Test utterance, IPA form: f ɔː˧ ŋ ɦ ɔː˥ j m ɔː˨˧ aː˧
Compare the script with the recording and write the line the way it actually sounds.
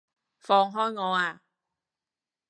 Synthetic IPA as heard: f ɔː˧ ŋ ɦ ɔː˥ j ŋ ɔː˨˧ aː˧